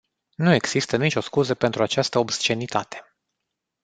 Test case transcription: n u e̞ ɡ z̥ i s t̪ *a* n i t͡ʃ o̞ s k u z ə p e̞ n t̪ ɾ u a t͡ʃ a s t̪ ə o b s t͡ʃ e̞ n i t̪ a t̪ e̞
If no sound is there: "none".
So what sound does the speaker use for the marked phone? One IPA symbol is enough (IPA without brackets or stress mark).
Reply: ə